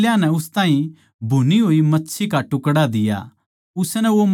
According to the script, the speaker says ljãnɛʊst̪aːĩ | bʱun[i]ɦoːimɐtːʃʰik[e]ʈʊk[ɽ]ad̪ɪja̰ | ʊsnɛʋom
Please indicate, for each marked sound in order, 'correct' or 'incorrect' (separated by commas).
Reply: correct, incorrect, correct